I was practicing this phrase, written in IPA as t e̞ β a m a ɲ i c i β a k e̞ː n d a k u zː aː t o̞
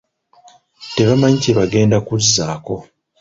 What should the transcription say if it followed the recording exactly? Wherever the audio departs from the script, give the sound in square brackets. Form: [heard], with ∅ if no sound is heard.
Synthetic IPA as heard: t e̞ β a m a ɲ i c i β a [ɡ] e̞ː n d a k u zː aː [k] o̞